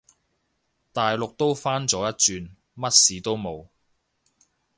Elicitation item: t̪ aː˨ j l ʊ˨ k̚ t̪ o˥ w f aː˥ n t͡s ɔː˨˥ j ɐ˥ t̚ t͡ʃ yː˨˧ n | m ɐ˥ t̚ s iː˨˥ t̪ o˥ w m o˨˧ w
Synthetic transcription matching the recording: t̪ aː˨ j l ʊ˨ k̚ t̪ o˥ w f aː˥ n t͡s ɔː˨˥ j ɐ˥ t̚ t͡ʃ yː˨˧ n | m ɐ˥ t̚ s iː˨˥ t̪ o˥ w m o˨˧ w